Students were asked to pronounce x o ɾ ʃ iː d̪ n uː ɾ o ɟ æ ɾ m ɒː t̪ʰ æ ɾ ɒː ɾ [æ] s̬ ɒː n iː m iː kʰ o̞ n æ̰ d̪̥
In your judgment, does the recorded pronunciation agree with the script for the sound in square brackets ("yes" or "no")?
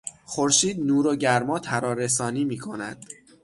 no